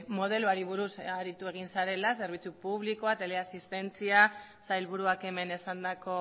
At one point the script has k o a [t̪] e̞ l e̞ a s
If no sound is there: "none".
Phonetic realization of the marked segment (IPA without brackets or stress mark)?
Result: t̪